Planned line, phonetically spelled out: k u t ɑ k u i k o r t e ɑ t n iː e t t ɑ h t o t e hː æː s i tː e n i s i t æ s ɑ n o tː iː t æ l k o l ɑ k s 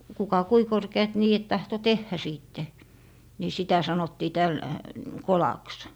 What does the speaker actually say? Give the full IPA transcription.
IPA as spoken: k u k ɑ k u i k o r k e ɑ t n iː e t t ɑ h t o t e hː æ s iː tː e n i s i t æ s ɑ n o tː iː t æ l k o l ɑ k s